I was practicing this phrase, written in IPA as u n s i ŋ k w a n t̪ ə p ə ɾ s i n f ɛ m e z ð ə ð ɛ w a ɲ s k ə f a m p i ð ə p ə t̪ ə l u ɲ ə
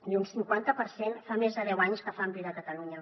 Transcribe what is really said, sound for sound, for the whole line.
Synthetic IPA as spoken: u n s i ŋ k w a n t̪ ə p ə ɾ s e n f a m e z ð ə ð ɛ w a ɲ s k ə f a m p i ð ə k ə t̪ ə l u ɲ ə